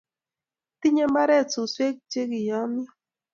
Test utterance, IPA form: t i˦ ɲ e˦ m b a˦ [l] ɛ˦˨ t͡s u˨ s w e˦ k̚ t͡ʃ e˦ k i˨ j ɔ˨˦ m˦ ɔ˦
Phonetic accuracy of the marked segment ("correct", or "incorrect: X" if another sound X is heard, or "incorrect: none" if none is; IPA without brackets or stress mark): incorrect: ɾ